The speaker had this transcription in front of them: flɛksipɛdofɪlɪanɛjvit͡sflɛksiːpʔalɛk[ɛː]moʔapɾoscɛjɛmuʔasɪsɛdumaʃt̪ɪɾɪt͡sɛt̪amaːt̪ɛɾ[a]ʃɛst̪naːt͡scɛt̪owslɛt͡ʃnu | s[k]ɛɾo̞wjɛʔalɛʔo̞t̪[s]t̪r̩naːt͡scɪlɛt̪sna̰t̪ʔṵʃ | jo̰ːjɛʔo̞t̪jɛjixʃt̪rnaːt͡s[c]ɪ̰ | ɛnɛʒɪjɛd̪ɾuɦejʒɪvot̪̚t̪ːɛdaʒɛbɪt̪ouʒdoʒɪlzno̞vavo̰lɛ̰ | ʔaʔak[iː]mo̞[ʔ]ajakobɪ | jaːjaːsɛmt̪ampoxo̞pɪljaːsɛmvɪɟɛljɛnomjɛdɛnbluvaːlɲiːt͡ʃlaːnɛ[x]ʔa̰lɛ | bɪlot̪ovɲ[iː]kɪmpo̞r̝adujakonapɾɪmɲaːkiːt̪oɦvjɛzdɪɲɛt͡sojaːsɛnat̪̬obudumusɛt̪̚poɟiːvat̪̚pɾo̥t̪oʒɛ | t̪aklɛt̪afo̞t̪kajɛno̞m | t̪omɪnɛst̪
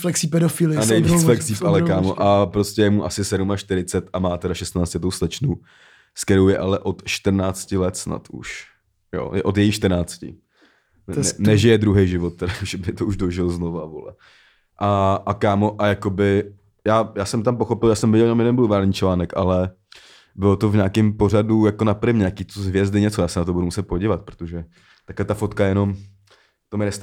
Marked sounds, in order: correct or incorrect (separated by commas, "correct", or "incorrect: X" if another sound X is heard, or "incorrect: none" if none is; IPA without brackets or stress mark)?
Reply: incorrect: aː, correct, correct, incorrect: ʃ, correct, incorrect: aː, correct, incorrect: k, incorrect: aː